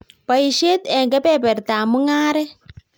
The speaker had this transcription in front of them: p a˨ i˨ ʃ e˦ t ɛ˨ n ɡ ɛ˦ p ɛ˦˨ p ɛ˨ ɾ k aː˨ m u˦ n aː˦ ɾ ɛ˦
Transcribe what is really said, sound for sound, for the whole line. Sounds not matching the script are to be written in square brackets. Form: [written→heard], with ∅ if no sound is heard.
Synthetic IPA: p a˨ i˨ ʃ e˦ t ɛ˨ [n→ŋ] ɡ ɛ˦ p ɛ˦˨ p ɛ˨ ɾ [k→t] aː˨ m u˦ [n→ŋ] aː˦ ɾ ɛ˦

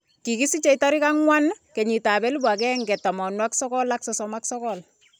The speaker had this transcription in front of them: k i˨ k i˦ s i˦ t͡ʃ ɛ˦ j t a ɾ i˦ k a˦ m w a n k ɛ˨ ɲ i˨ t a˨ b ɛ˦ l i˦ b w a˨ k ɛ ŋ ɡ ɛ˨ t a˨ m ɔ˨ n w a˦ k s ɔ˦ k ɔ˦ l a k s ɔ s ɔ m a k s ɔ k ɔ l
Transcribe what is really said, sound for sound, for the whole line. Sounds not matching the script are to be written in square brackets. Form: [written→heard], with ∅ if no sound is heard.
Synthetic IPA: k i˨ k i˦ s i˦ t͡ʃ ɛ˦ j t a ɾ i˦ k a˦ [m→ŋ] w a n k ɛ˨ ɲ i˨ t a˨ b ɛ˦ l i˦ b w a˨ k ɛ ŋ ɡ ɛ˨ t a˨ m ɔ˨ n w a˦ k s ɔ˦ k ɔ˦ l a k s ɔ s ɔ m a k s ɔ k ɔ l

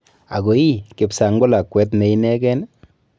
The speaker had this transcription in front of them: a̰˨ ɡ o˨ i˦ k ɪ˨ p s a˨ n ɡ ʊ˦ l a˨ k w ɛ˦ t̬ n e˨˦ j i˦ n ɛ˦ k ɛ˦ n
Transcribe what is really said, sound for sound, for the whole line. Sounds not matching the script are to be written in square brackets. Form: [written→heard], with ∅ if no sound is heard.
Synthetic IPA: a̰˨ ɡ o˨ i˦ k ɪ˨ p s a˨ [n→ŋ] ɡ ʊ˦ l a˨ k w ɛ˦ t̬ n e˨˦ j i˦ n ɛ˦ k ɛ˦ n

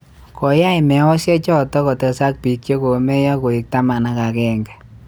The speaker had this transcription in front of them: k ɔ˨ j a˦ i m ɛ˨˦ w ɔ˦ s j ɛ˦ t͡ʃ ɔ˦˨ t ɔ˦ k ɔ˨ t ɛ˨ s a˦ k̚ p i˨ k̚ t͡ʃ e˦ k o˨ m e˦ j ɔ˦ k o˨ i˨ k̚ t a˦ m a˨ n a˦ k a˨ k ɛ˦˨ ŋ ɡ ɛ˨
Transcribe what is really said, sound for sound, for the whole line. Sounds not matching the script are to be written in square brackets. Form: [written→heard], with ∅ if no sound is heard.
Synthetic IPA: k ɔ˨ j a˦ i m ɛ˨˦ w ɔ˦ s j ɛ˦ t͡ʃ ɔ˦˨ t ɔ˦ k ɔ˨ t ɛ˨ s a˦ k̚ p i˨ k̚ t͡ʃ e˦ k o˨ m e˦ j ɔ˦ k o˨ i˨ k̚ t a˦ m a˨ n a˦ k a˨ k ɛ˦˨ ŋ ɡ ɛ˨

